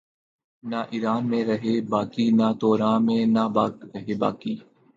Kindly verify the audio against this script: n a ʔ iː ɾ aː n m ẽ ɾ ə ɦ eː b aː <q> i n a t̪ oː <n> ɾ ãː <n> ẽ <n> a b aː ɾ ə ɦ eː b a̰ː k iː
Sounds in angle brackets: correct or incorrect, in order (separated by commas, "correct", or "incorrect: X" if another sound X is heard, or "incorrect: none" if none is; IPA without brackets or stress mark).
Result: incorrect: k, incorrect: none, incorrect: m, correct